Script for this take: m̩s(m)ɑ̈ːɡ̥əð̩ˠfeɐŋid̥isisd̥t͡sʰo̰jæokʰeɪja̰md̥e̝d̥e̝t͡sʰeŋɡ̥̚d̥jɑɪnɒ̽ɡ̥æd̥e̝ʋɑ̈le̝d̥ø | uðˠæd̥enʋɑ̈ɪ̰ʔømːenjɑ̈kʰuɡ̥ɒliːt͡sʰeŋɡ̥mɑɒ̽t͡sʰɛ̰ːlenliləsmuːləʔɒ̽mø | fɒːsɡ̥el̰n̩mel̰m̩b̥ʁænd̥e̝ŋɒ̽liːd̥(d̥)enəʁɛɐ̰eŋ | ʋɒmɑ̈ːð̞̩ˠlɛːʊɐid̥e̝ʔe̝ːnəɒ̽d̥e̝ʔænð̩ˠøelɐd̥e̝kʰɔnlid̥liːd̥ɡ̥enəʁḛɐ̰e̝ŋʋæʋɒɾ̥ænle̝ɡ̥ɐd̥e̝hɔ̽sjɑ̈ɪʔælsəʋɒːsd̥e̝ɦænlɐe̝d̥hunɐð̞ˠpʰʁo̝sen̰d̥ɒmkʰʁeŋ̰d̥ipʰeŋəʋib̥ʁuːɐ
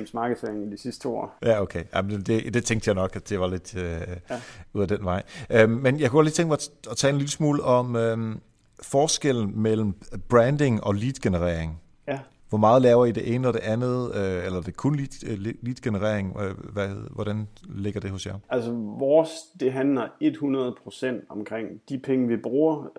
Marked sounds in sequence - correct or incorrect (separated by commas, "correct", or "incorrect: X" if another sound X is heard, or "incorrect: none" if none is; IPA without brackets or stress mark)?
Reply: correct, incorrect: ɡ̥